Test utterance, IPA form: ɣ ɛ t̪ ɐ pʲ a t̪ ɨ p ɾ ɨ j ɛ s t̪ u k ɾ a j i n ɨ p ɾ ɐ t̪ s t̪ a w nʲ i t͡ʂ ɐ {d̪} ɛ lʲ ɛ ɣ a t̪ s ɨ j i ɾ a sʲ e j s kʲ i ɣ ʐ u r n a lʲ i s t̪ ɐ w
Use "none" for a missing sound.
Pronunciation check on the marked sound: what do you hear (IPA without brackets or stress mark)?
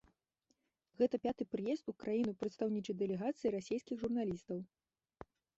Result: d̪